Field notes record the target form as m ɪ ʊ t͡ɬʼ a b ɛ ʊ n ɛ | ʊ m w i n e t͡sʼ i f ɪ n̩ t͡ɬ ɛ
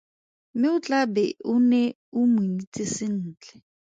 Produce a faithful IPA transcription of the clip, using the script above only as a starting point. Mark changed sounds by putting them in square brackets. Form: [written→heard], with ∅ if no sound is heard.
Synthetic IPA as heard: m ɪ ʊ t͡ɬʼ a b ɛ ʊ n ɛ | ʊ m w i n [e→i] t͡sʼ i [f→s] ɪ [n̩→n̩ː] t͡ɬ ɛ